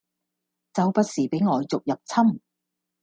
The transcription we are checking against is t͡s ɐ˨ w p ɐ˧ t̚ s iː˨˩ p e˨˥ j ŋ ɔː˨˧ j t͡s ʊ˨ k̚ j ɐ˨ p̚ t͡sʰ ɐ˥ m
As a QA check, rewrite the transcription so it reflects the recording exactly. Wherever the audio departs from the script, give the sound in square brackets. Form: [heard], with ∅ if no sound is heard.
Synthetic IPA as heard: t͡s ɐ˨ w p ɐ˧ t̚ s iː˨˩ p e˨˥ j ŋ ɔː˨˧ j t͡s ʊ˨ k̚ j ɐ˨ p̚ t͡sʰ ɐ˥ m